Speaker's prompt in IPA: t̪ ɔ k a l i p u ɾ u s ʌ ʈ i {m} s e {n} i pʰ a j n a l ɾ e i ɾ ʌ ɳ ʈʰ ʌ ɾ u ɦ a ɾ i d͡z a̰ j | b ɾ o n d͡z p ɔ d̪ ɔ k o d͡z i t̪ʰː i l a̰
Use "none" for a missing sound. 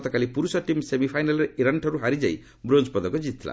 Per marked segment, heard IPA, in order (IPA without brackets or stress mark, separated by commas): m, m